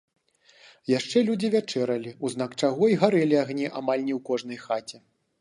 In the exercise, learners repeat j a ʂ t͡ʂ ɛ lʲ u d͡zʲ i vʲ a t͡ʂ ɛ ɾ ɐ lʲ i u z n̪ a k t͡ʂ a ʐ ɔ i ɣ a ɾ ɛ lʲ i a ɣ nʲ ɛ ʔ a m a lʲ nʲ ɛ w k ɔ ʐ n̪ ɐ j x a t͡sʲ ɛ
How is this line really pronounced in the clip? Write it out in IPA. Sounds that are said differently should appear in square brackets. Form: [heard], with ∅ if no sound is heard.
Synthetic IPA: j a ʂ t͡ʂ ɛ lʲ u d͡zʲ i vʲ a t͡ʂ ɛ ɾ ɐ lʲ i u z n̪ a k t͡ʂ a [ɣ] ɔ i ɣ a ɾ ɛ lʲ i a ɣ nʲ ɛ ʔ a m a lʲ nʲ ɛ w k ɔ ʐ n̪ ɐ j x a t͡sʲ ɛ